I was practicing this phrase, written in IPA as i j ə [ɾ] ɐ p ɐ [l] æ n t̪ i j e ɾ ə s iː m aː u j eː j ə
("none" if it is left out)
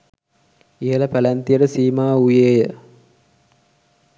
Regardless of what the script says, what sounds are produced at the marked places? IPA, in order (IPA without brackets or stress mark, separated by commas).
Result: l, l